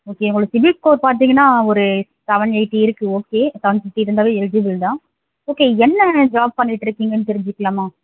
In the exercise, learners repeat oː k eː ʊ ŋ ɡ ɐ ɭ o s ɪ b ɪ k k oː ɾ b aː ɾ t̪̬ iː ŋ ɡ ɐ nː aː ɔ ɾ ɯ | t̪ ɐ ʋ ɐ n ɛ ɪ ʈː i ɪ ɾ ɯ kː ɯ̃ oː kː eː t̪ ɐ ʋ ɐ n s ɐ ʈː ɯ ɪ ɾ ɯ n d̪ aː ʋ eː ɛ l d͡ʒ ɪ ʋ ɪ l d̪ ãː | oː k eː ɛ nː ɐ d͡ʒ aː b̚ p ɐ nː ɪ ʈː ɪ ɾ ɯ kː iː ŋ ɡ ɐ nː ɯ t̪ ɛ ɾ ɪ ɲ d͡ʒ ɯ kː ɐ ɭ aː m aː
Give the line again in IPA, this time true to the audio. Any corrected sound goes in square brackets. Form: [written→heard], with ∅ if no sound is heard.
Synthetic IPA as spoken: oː k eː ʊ ŋ ɡ ɐ ɭ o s ɪ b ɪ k k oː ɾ [b→p] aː ɾ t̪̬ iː ŋ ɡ ɐ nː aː ɔ ɾ ɯ | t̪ ɐ ʋ ɐ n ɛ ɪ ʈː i ɪ ɾ ɯ kː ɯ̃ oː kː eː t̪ ɐ ʋ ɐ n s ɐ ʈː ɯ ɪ ɾ ɯ n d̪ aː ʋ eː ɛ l d͡ʒ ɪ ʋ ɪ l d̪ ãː | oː k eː ɛ nː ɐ d͡ʒ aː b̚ p ɐ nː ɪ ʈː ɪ ɾ ɯ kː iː ŋ ɡ ɐ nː ɯ t̪ ɛ ɾ ɪ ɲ d͡ʒ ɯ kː ɐ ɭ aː m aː